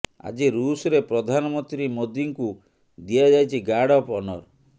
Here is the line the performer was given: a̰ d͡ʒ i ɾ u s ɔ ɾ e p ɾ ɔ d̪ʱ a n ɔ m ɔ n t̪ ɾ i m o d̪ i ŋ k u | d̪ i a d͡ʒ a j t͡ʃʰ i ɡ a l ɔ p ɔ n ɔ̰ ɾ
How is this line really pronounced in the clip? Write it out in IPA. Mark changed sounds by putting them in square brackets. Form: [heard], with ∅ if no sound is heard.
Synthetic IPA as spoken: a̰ d͡ʒ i ɾ u s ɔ ɾ e p ɾ ɔ d̪ʱ a n ɔ m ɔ n t̪ ɾ i m o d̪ i ŋ k u | d̪ i a d͡ʒ a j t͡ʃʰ i ɡ a [ɽ] ɔ p ɔ n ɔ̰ ɾ